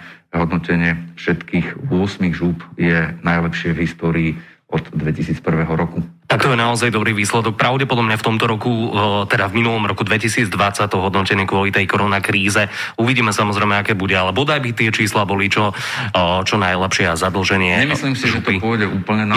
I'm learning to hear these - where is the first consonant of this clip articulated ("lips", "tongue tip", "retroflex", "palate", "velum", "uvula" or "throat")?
throat